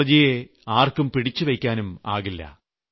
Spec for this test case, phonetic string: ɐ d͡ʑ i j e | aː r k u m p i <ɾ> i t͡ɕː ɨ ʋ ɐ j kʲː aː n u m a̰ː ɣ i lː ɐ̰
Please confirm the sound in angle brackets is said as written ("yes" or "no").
no